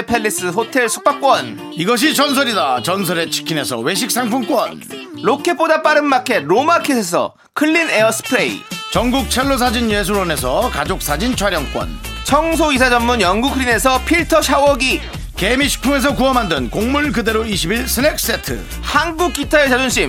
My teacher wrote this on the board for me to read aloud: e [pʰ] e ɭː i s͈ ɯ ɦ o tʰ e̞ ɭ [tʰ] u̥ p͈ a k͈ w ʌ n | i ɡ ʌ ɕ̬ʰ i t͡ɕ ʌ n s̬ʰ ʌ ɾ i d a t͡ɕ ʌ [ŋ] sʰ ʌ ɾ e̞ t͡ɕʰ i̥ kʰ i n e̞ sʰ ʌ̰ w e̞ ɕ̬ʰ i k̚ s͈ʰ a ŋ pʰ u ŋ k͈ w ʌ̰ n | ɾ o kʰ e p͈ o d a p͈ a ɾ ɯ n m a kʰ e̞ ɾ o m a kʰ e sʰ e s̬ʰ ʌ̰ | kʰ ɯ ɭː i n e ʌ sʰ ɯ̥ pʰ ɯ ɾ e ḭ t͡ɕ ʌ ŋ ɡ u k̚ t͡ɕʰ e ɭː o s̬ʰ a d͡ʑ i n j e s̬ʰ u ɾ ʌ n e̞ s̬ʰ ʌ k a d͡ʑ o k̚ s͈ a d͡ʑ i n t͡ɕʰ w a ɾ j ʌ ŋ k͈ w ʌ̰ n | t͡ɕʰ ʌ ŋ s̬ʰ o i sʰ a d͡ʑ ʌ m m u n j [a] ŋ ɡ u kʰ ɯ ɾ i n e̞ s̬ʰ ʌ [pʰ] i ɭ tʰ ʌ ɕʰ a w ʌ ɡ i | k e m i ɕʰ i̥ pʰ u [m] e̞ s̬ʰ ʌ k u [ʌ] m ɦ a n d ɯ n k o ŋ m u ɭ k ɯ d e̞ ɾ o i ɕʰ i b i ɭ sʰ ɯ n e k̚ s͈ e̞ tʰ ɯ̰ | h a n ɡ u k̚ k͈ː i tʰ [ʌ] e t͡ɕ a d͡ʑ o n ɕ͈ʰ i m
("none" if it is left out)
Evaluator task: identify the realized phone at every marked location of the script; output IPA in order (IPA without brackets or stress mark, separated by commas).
pʰ, sʰ, n, ʌ, pʰ, ŋ, ʌ, a